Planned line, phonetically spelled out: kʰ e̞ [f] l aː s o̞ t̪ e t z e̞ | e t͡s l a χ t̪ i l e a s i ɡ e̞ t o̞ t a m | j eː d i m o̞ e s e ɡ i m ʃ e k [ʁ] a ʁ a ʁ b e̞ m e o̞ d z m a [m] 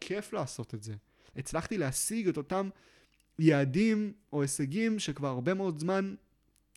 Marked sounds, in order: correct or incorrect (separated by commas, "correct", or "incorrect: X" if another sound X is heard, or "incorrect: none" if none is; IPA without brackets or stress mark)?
correct, incorrect: v, incorrect: n